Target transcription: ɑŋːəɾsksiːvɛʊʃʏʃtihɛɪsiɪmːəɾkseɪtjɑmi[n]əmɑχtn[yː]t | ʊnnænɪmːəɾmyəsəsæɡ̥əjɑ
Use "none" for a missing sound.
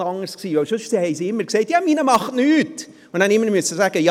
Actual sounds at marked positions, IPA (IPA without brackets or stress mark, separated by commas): n, yː